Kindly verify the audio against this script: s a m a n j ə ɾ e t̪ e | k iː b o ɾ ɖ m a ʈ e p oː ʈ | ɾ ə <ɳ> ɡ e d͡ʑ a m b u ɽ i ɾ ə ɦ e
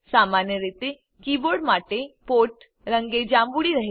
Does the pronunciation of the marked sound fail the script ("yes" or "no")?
yes